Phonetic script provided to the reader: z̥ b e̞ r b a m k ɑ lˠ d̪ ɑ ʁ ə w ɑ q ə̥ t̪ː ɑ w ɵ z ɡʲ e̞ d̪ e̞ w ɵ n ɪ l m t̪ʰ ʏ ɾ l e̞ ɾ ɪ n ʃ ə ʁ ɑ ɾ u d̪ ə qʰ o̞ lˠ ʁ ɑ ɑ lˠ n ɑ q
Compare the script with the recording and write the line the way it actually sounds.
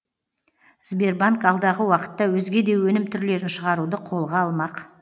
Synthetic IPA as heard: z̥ b e̞ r b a ŋ k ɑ lˠ d̪ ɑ ʁ ə w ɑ q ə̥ t̪ː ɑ w ɵ z ɡʲ e̞ d̪ e̞ w ɵ n ɪ m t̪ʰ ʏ ɾ l e̞ ɾ ɪ n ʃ ə ʁ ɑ ɾ u d̪ ə qʰ o̞ lˠ ʁ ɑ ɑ lˠ m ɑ q